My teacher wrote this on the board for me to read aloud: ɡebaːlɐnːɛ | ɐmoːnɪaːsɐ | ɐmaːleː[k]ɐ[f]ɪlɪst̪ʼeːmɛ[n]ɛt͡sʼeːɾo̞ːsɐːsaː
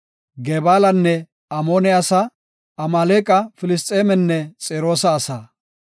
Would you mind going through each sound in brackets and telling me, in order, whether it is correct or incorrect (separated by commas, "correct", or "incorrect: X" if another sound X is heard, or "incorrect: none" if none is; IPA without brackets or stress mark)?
incorrect: kʼ, correct, incorrect: nː